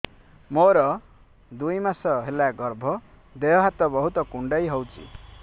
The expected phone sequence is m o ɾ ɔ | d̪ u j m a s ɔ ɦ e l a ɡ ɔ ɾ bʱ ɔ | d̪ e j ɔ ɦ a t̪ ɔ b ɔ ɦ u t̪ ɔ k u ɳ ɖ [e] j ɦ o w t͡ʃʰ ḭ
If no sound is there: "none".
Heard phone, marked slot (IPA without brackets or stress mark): a